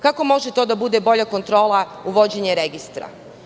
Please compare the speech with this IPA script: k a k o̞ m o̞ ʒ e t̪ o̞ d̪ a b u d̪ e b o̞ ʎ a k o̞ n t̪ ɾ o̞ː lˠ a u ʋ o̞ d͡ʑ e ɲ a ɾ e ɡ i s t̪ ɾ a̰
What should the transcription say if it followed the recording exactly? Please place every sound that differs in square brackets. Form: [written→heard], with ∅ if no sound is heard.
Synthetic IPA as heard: k a k o̞ m o̞ ʒ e t̪ o̞ d̪ a b u d̪ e b o̞ ʎ a k o̞ n t̪ ɾ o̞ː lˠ a u ʋ o̞ d͡ʑ e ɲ [a→e] ɾ e ɡ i s t̪ ɾ a̰